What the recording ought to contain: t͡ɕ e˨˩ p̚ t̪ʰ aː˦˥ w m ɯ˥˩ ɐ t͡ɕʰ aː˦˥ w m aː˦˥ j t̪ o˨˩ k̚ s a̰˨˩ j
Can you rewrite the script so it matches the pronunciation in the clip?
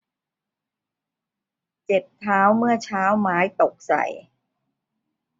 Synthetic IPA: t͡ɕ e˨˩ p̚ t̪ʰ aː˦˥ w m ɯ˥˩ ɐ t͡ɕʰ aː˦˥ w m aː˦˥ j t̪ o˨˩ k̚ s a̰˨˩ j